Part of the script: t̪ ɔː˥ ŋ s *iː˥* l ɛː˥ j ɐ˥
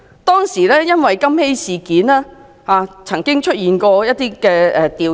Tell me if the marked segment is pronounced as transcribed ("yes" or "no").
no